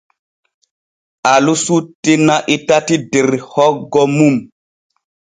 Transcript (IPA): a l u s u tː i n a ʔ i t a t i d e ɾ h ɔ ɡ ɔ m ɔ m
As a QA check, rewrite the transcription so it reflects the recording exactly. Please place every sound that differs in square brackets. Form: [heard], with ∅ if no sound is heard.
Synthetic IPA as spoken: a l u s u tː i n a ʔ i t a t i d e ɾ h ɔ ɡ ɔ m [u] m